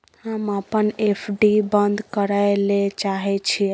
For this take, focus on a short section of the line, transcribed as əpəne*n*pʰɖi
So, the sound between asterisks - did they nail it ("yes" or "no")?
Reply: no